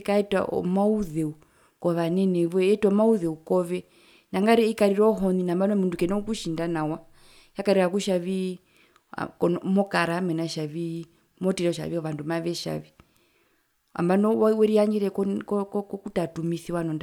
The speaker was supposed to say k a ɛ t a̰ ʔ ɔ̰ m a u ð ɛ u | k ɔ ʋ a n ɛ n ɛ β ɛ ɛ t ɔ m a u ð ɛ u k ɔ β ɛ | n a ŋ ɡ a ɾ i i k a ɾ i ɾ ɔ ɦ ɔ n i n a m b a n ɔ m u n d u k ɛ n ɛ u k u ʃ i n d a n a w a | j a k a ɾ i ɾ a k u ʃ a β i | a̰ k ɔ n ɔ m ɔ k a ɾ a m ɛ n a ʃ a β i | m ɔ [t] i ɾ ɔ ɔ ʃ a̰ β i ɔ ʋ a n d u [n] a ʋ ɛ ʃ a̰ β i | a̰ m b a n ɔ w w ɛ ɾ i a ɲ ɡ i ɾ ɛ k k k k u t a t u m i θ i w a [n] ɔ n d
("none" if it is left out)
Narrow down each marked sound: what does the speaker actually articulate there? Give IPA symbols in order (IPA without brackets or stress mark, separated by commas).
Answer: t, m, n